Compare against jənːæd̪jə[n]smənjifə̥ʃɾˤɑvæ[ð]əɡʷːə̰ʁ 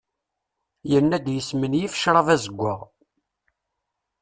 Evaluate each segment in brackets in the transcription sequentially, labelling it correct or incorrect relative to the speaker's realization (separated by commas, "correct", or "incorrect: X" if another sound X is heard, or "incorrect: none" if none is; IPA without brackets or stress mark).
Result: incorrect: none, incorrect: z